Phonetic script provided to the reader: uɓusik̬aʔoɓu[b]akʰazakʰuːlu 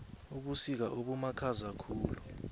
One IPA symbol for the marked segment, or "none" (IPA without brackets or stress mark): m